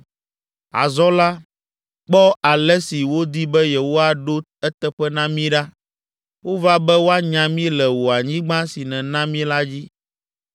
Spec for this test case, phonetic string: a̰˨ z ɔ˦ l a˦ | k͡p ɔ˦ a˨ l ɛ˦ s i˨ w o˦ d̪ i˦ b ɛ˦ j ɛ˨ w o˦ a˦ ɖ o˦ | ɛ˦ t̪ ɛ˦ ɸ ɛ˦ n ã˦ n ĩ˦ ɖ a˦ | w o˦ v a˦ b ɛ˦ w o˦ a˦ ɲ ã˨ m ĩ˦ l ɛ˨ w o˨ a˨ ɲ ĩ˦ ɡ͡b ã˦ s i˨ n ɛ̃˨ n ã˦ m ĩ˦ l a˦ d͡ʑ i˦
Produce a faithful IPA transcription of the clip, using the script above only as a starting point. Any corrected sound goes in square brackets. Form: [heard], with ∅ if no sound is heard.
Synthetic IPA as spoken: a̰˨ z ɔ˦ l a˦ | k͡p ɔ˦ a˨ l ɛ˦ s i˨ w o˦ d̪ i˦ b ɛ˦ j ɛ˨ w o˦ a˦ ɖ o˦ | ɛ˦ t̪ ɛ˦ ɸ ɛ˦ n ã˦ [m] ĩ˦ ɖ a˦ | w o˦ v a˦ b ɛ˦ w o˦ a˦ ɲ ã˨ m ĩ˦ l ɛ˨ w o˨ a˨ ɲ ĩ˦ ɡ͡b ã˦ s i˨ n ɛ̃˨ n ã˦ m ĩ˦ l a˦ d͡ʑ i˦

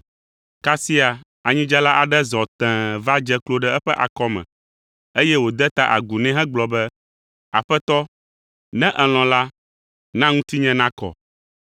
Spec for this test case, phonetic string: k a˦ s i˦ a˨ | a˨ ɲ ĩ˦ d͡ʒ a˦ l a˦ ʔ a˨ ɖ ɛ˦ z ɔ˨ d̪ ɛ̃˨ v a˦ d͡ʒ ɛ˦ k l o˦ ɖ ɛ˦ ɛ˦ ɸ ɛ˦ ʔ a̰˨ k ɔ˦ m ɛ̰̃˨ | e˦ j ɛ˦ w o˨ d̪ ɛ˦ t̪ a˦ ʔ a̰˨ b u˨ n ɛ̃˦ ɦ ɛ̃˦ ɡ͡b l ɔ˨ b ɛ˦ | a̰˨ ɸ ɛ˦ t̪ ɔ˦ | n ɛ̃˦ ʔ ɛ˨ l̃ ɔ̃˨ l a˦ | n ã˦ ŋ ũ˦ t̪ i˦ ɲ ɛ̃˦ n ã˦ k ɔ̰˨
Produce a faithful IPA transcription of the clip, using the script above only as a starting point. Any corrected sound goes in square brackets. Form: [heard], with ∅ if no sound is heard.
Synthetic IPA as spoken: k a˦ s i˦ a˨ | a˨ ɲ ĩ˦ d͡ʒ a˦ l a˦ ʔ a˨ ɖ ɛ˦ z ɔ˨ [t̪] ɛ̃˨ v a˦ d͡ʒ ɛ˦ k l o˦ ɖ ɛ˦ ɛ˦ ɸ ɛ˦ ʔ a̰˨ k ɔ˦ m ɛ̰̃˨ | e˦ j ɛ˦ w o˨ d̪ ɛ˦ t̪ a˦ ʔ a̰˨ [ɡ] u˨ n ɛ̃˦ ɦ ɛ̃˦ ɡ͡b l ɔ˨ b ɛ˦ | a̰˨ ɸ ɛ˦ t̪ ɔ˦ | n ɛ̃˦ ʔ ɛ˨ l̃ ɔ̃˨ l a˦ | n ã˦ ŋ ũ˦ t̪ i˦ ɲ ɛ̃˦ n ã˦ k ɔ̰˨

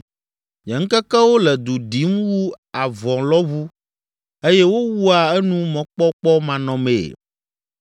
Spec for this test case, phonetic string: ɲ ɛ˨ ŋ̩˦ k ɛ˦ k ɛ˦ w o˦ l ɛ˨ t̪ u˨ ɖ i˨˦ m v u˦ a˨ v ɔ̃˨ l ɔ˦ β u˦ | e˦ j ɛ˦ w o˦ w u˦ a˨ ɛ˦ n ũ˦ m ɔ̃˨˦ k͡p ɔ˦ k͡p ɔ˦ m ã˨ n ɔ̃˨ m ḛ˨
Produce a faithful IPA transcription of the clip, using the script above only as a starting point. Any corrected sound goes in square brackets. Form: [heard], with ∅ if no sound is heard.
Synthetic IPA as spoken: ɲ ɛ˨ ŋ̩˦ k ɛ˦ k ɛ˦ w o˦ l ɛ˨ [d̪] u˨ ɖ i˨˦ m [w] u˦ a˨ v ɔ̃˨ l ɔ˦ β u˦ | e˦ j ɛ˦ w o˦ w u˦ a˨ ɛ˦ n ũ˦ m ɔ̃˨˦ k͡p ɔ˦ k͡p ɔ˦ m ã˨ n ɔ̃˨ m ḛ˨

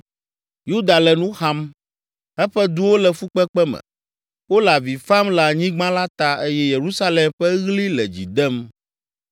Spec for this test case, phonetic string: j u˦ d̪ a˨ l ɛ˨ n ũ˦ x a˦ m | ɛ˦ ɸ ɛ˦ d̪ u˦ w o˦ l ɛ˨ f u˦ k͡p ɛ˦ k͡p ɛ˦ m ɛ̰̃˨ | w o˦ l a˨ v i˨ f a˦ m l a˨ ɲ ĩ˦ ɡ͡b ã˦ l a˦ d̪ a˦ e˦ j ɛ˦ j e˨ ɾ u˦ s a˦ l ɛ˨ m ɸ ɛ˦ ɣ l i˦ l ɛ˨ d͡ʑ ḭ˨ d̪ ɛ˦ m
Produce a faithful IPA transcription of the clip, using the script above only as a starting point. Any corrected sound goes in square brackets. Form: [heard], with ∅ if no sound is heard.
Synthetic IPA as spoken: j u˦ d̪ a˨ l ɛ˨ n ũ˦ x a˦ m | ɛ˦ ɸ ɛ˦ d̪ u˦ w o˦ l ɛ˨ f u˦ k͡p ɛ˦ k͡p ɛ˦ m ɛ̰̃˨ | w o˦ l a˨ v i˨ f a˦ m l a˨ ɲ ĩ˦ ɡ͡b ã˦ l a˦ [t̪] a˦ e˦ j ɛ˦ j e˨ ɾ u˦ s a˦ l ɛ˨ m ɸ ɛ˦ ɣ l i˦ l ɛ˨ d͡ʑ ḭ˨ d̪ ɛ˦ m

